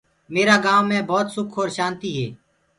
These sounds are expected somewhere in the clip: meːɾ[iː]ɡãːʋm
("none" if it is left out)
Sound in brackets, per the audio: aː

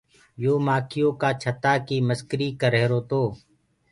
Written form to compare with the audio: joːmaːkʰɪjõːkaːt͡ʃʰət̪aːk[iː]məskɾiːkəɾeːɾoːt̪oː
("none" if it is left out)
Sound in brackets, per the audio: iː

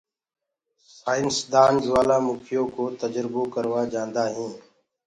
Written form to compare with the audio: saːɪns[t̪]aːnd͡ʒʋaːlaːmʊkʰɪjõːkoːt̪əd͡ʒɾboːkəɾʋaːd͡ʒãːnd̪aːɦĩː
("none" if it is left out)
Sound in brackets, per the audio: d̪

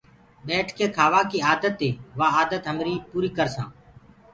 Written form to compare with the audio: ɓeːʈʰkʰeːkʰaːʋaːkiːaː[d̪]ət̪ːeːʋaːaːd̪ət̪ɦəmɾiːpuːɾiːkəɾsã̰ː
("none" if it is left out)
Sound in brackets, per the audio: d̪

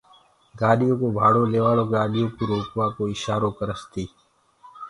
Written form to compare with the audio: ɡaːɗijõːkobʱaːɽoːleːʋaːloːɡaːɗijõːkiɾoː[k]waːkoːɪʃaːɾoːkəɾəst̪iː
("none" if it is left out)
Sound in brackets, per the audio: k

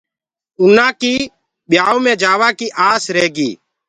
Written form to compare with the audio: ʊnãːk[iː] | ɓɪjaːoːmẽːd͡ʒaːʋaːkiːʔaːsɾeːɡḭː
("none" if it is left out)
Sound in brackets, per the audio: iː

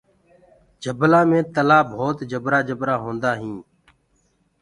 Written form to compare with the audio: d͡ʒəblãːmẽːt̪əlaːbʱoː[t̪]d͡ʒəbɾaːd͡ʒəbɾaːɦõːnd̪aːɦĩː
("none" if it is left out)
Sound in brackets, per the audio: t̪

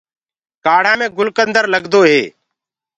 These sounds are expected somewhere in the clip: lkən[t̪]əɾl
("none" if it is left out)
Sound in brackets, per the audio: d̪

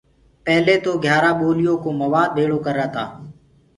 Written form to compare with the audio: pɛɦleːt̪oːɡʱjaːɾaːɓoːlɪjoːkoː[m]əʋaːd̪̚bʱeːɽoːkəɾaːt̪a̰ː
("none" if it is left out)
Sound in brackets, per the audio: m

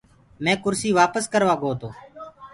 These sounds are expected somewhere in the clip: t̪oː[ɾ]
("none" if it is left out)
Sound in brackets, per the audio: none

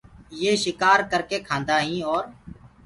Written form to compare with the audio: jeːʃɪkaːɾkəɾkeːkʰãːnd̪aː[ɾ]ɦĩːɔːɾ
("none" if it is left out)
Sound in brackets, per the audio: none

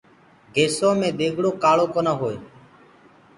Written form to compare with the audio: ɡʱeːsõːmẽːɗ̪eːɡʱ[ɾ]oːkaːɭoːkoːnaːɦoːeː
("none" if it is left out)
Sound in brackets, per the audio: ɽ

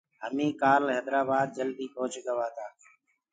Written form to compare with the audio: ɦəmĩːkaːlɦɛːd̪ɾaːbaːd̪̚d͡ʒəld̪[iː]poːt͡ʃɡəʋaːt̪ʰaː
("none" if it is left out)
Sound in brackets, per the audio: iː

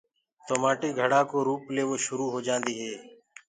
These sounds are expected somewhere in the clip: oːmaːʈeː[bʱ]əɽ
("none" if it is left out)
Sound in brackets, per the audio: ɡʱ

